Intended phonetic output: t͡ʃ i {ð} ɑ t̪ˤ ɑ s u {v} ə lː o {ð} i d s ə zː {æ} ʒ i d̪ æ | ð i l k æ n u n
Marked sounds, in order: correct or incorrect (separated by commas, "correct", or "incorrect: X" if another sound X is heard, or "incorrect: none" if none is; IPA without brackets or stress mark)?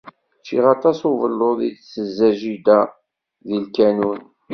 incorrect: ʁ, correct, correct, correct